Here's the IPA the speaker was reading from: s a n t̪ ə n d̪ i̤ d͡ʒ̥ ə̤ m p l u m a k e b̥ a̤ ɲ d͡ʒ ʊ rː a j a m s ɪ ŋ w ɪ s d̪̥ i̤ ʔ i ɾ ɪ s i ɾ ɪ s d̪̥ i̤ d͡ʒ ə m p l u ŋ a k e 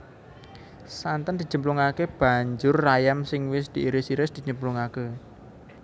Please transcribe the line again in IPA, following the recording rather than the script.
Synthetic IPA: s a n t̪ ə n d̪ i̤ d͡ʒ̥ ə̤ m p l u ŋ a k e b̥ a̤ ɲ d͡ʒ ʊ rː a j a m s ɪ ŋ w ɪ s d̪̥ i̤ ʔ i ɾ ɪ s i ɾ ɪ s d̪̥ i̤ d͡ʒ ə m p l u ŋ a k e